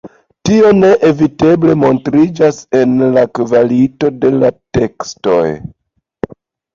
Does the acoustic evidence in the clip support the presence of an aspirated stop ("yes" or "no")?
no